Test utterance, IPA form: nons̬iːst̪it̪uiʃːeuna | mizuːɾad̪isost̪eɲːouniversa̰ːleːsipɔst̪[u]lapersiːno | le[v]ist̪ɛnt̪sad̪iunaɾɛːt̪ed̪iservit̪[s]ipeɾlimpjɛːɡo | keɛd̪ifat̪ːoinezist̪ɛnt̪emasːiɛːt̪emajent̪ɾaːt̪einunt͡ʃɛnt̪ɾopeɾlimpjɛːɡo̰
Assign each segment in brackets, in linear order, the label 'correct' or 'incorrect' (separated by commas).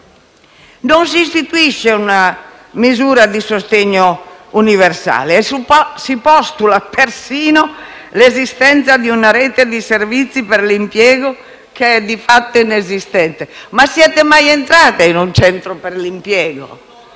correct, incorrect, incorrect